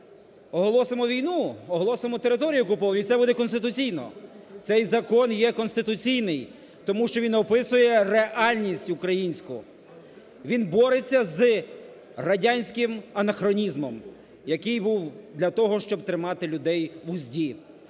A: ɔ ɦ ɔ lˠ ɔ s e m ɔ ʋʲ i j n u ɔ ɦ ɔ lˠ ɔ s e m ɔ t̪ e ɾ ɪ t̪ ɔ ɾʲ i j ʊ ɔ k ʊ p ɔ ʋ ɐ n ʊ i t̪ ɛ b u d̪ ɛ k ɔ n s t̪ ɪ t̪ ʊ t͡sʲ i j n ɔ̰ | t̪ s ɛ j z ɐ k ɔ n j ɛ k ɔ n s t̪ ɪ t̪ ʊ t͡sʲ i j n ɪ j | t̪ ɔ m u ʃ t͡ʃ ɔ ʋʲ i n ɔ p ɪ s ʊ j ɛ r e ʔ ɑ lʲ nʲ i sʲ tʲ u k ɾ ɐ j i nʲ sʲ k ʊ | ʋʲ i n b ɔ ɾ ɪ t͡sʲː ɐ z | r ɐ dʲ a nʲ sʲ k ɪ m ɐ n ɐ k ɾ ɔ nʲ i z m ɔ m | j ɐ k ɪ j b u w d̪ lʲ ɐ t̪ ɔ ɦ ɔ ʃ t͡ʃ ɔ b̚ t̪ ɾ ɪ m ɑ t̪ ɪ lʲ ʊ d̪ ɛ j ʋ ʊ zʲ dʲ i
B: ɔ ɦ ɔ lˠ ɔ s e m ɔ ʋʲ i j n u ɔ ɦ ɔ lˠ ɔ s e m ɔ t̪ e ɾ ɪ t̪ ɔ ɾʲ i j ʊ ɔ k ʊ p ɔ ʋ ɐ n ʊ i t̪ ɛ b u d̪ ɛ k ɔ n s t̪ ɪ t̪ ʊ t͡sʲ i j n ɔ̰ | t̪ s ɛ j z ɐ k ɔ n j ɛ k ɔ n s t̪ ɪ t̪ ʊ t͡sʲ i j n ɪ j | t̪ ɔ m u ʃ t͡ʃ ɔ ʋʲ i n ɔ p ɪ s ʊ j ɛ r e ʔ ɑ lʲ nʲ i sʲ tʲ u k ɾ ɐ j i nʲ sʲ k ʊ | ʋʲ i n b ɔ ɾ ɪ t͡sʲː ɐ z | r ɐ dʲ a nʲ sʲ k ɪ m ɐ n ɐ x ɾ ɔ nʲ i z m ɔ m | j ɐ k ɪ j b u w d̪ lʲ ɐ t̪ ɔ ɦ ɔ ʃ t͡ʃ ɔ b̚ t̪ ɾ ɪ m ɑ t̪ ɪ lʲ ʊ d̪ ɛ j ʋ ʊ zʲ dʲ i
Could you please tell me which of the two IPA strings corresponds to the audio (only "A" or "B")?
B